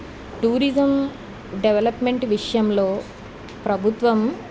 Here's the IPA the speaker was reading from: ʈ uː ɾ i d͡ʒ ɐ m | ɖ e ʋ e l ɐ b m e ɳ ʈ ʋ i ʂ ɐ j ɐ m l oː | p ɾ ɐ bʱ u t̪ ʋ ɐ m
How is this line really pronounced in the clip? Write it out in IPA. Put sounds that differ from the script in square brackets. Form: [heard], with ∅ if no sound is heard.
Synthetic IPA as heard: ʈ uː ɾ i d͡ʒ ɐ m | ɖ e ʋ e l ɐ [p] m e ɳ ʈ ʋ i ʂ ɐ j ɐ m l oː | p ɾ ɐ bʱ u t̪ ʋ ɐ m